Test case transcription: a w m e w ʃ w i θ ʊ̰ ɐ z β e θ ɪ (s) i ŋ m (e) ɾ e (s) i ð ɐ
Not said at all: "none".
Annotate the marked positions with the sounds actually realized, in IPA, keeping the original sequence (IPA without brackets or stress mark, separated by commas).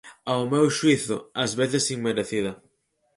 s, e, θ